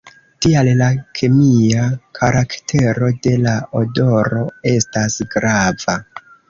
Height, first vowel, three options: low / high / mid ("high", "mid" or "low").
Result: high